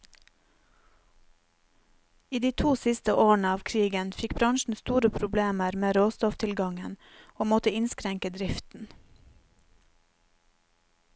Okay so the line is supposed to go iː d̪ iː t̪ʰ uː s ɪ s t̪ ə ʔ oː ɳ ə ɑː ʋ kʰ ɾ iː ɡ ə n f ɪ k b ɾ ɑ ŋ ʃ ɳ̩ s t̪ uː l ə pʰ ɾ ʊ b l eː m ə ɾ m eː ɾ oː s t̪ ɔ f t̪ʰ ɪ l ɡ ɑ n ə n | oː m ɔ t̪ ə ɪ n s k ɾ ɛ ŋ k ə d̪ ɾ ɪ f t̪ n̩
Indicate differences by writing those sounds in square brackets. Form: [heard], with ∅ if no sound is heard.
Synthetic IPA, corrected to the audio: iː d̪ iː t̪ʰ uː s ɪ s t̪ ə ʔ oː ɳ ə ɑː ʋ kʰ ɾ iː ɡ ə n f ɪ k b ɾ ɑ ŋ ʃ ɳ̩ s t̪ uː [ɾ] ə pʰ ɾ ʊ b l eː m ə ɾ m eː ɾ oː s t̪ ɔ f t̪ʰ ɪ l ɡ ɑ [ŋ] ə n | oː m ɔ t̪ ə ɪ n s k ɾ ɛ ŋ k ə d̪ ɾ ɪ f t̪ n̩